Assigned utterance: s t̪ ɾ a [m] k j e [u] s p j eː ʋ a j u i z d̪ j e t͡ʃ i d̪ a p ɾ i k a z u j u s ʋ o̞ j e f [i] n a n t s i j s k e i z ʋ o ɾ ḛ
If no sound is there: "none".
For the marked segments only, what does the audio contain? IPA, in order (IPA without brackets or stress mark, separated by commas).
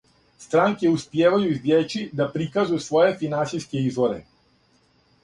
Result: ŋ, u, i